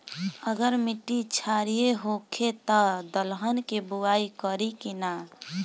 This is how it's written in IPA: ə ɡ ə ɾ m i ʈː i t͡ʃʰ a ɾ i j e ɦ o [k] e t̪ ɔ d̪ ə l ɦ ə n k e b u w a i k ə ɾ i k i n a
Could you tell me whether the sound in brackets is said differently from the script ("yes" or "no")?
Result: yes